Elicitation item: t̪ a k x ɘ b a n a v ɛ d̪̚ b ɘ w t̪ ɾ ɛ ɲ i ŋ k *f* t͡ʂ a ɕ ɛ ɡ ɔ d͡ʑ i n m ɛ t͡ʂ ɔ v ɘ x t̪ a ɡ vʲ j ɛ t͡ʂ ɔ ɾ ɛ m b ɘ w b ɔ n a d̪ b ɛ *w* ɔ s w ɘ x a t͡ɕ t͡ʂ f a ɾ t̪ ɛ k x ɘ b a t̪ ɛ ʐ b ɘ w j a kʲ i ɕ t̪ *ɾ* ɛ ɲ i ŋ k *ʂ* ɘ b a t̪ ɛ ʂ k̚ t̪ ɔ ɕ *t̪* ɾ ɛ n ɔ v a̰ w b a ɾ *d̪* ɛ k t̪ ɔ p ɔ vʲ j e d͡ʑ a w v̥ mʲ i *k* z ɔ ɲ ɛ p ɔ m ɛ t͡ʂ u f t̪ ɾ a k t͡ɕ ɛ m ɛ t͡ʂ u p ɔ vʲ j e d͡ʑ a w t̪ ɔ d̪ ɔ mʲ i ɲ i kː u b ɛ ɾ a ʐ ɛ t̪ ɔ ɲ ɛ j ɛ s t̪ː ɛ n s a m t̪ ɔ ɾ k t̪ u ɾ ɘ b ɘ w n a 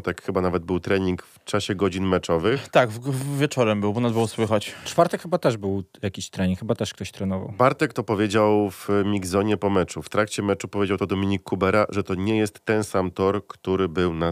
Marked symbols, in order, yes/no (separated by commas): yes, yes, yes, no, yes, no, no